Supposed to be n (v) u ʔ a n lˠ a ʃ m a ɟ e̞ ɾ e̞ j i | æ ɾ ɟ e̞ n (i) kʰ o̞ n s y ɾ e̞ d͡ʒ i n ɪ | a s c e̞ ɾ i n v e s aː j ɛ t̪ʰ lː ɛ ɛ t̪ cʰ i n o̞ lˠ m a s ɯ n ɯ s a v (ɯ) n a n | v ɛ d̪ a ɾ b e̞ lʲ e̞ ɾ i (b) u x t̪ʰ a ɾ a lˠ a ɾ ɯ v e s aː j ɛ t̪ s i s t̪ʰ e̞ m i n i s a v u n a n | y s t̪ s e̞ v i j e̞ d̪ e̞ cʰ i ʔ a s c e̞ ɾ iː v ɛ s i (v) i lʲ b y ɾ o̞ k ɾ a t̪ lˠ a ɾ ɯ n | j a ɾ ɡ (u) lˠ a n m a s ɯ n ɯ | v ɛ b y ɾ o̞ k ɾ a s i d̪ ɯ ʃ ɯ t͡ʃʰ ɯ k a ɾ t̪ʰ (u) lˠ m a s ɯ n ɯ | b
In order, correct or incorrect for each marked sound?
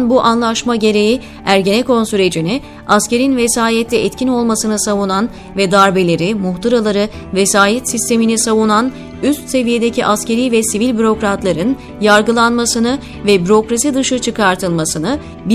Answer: incorrect: b, incorrect: ɛ, incorrect: u, incorrect: m, correct, incorrect: ɯ, incorrect: ɯ

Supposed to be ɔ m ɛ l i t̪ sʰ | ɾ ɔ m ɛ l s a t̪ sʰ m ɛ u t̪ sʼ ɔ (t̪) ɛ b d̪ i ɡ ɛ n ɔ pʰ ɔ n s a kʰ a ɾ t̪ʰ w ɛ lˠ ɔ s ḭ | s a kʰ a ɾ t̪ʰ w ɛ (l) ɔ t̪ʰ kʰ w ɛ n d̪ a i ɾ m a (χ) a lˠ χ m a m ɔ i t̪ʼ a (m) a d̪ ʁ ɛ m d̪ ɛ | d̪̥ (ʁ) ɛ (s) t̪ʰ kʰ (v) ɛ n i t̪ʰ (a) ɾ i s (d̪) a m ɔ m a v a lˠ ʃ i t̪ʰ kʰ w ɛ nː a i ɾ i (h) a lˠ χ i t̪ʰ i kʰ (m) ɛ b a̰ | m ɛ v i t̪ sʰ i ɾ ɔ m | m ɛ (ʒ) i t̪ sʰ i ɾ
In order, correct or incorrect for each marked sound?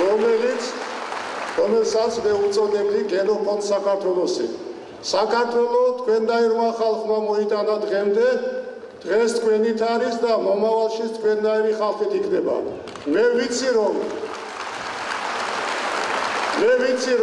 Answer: incorrect: d̪, correct, correct, incorrect: n, correct, correct, incorrect: w, correct, correct, incorrect: χ, incorrect: n, incorrect: v

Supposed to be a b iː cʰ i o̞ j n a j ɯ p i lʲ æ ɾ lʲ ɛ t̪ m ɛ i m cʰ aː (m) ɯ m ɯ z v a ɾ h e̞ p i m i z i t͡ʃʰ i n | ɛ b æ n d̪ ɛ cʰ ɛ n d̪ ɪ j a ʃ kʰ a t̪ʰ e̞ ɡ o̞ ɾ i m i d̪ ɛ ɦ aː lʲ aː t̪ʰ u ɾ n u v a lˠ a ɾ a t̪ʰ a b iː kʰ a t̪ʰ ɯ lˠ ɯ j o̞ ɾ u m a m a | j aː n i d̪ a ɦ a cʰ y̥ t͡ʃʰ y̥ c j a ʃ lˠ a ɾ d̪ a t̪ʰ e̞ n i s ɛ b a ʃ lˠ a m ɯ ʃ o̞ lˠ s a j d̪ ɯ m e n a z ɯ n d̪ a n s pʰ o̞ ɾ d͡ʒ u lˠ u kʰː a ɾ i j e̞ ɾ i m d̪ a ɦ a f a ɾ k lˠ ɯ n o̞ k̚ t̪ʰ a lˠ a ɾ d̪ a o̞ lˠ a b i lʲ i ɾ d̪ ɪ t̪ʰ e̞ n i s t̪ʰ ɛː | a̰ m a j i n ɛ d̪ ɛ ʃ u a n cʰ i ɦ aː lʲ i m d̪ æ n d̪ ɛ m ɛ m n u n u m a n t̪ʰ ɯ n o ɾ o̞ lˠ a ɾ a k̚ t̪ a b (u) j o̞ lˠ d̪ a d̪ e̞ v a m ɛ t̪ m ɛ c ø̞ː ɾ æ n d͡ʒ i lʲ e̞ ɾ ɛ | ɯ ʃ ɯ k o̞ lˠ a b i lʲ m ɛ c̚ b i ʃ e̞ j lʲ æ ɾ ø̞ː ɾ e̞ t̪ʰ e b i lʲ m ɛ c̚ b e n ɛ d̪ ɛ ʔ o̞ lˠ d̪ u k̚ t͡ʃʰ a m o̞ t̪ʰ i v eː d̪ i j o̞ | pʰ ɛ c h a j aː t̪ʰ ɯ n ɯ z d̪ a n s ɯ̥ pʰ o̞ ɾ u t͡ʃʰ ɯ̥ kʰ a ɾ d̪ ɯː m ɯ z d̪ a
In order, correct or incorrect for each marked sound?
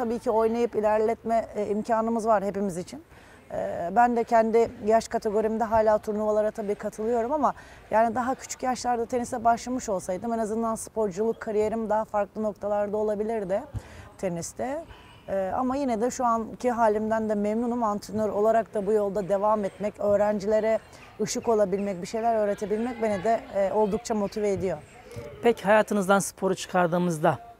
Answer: incorrect: n, correct

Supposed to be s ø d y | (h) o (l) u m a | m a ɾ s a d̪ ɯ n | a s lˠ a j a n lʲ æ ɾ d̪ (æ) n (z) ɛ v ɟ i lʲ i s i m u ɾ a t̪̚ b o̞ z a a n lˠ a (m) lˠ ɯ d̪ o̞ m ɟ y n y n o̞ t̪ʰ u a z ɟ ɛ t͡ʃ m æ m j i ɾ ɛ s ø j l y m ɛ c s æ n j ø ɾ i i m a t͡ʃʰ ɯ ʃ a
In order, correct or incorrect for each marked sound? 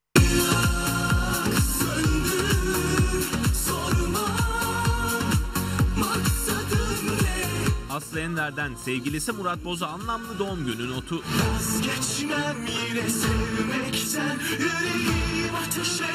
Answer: incorrect: s, incorrect: ɾ, correct, incorrect: s, correct

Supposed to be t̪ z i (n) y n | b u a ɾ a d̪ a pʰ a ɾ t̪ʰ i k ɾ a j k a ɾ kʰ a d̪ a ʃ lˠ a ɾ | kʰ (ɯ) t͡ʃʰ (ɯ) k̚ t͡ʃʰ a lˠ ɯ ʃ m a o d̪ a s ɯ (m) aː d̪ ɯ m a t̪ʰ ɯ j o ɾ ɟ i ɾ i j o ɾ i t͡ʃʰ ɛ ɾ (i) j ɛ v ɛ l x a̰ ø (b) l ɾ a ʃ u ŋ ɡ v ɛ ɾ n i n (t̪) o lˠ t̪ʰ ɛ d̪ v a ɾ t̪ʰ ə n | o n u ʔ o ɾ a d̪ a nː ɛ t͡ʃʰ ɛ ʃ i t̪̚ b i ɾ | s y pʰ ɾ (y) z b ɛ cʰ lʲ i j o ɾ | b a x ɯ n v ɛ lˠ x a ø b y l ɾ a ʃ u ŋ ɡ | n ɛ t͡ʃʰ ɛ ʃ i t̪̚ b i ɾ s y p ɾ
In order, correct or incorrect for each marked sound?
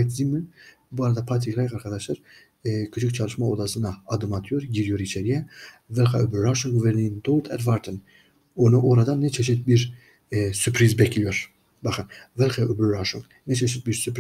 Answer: incorrect: m, correct, correct, incorrect: n, correct, correct, incorrect: d̪, incorrect: i

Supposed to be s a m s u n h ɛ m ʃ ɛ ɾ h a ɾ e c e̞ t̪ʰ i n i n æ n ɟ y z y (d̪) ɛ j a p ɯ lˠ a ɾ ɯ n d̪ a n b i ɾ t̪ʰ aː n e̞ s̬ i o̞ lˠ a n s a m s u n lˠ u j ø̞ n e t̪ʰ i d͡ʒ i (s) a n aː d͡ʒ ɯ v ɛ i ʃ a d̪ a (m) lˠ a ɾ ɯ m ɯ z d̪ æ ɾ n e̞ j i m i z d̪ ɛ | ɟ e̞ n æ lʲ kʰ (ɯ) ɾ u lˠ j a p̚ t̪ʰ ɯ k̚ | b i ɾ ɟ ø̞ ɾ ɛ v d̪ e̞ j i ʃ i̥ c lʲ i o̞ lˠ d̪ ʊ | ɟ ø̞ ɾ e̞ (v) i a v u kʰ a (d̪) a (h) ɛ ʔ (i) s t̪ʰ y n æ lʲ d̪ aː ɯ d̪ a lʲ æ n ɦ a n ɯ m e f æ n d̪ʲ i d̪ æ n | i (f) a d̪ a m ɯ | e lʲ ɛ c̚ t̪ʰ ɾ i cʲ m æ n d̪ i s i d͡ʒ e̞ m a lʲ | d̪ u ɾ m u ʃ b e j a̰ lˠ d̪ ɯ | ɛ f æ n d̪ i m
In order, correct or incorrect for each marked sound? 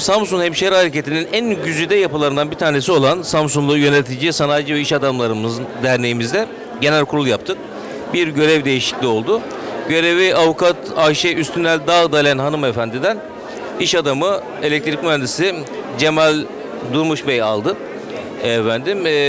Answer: correct, correct, correct, incorrect: u, correct, incorrect: t̪, incorrect: ʃ, incorrect: y, incorrect: ʃ

